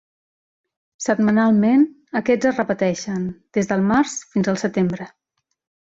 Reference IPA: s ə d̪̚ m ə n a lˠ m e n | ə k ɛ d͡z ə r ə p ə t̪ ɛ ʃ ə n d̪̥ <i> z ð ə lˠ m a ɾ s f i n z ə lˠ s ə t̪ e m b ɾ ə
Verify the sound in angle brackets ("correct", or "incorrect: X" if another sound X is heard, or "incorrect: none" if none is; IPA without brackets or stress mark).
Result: incorrect: e